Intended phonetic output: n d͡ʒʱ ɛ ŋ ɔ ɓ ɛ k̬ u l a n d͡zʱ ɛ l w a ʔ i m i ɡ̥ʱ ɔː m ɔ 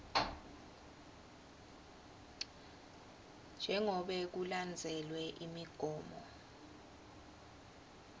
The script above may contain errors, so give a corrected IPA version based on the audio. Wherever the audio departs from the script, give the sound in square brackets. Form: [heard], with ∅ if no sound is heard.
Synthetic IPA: n d͡ʒʱ ɛ ŋ ɔ ɓ ɛ k̬ u l a n d͡zʱ ɛ l w [ɛ] ʔ i m i ɡ̥ʱ ɔː m ɔ